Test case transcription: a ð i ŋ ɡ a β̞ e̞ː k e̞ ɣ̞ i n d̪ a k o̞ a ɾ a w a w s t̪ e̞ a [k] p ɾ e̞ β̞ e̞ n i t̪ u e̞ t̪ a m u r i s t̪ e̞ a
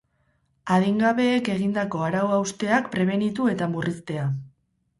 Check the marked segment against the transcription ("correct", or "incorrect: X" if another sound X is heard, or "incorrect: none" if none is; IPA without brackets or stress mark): correct